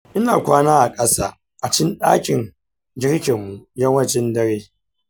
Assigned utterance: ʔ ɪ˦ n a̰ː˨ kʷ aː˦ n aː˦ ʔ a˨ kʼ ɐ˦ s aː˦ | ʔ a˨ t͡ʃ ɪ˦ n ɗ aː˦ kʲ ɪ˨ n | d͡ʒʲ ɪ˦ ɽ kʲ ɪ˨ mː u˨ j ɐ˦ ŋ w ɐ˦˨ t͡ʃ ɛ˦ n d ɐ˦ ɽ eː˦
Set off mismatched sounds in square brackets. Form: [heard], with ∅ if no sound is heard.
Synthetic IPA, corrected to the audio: ʔ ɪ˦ n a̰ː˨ kʷ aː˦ n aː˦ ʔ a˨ kʼ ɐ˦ s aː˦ | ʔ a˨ t͡ʃ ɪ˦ n ɗ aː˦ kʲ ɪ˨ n | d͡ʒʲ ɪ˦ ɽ kʲ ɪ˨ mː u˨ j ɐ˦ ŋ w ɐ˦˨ t͡ʃ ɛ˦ n d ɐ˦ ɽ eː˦

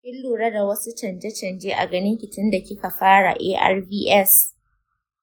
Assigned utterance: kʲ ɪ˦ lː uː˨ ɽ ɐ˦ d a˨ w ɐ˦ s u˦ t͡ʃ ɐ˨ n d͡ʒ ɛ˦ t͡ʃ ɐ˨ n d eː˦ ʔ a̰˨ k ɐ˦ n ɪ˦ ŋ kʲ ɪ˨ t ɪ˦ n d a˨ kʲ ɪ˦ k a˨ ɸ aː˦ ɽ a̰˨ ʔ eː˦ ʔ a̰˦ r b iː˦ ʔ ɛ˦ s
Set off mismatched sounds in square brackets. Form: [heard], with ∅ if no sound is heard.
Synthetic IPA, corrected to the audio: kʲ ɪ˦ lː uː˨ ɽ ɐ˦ d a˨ w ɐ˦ s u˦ t͡ʃ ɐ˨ n d͡ʒ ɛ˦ t͡ʃ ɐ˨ n [d͡ʒ] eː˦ ʔ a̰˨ [ɡ] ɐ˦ n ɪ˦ ŋ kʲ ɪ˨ t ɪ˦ n d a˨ kʲ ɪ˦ k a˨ ɸ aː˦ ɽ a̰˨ ʔ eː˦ ʔ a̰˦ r b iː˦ ʔ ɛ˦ s

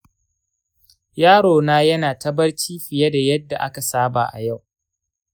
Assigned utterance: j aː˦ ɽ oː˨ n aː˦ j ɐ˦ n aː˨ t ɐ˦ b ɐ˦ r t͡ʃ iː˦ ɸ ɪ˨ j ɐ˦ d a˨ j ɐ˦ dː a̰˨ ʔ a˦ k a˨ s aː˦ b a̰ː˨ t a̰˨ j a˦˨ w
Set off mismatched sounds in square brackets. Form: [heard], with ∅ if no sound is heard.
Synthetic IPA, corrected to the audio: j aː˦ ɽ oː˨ n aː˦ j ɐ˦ n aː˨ t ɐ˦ b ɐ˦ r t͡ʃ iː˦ ɸ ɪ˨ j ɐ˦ d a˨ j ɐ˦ dː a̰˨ ʔ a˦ k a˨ s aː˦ b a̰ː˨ [ʔ] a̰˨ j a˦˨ w

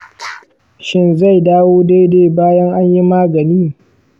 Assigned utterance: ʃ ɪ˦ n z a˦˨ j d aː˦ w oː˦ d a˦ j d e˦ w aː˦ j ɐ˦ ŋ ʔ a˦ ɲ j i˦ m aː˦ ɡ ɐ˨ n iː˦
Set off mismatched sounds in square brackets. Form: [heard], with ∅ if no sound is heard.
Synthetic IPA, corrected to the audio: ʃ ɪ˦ n z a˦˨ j d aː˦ w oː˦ d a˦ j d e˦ [b] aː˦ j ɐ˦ ŋ ʔ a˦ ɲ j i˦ m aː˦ ɡ ɐ˨ n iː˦

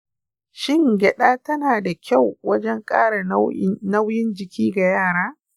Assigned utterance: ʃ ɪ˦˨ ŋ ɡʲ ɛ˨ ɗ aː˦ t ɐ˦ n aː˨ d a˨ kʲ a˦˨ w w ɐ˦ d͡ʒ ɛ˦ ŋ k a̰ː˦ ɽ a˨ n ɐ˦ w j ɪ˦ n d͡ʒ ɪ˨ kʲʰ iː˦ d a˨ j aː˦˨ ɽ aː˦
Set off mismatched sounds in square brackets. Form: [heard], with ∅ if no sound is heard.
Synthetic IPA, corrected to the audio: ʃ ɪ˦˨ ŋ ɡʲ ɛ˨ ɗ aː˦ t ɐ˦ n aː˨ d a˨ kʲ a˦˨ w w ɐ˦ d͡ʒ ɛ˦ ŋ [kʼ] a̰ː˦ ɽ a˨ n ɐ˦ w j ɪ˦ n d͡ʒ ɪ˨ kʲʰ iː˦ [ɡ] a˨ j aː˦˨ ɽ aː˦

